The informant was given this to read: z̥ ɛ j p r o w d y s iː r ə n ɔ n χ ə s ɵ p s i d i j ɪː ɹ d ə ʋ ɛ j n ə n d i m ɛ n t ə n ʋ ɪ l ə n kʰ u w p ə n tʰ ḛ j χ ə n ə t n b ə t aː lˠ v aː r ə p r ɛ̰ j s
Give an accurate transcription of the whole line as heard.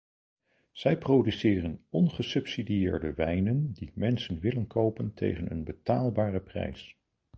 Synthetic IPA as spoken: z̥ ɛ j p r o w d y s ɪː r ə n ɔ n χ ə s ɵ p s i d i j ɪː ɹ d ə ʋ ɛ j n ə n d i m ɛ n s ə n ʋ ɪ l ə n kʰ o w p ə n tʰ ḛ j χ ə n ə n b ə t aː lˠ b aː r ə p r ɛ̰ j s

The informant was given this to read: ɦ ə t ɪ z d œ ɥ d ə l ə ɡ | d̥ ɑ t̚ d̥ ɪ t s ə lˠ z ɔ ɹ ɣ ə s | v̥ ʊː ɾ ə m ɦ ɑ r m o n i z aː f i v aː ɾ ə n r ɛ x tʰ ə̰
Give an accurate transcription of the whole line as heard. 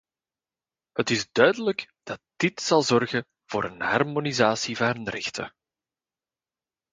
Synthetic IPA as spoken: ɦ ə t ɪ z d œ ɥ d ə l ə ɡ | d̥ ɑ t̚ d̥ ɪ t s ɑ lˠ z ɔ r ɣ ə | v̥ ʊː ɾ ə n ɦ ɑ r m o n i z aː s i v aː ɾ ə n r ɛ x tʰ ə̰

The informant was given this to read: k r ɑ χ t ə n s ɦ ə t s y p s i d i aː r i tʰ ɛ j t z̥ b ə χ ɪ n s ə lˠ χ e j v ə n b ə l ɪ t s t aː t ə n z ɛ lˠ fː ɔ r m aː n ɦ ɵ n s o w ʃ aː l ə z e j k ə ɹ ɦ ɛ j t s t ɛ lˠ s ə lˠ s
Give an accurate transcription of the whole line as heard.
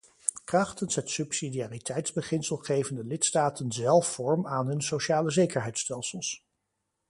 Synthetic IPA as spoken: k r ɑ χ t ə n s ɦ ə t s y p s i d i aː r i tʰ ɛ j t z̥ b ə χ ɪ n s ə lˠ χ e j v ə n d ə l ɪ t s t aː t ə n z ɛ lˠ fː ɔ ɹ m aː n ɦ ɵ n s o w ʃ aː l ə z e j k ə ɹ ɦ ɛ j t s t ɛ lˠ s ə lˠ s

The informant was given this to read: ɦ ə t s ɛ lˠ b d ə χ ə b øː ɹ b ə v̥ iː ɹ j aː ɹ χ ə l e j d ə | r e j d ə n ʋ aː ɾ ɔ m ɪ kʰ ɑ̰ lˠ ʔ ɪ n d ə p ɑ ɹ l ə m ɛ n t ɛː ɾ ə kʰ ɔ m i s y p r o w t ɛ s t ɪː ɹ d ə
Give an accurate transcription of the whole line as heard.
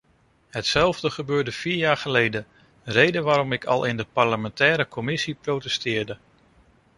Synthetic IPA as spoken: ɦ ə t s ɛ lˠ v d ə χ ə b øː ɹ d ə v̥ iː ɹ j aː ɹ χ ə l e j d ə | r e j d ə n ʋ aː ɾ ɔ m ɪ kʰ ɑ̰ lˠ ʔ ɪ n d ə p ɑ ɹ l ə m ɛ n t ɛː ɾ ə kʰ ɔ m ɪ s i p r o w t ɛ s t ɪː ɹ d ə

